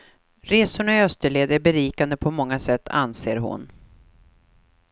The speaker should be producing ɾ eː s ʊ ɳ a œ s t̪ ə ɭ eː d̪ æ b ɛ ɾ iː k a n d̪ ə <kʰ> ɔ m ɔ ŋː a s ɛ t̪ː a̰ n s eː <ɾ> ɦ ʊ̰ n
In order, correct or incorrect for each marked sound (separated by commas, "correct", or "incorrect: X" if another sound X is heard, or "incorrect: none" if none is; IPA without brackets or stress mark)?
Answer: incorrect: pʰ, correct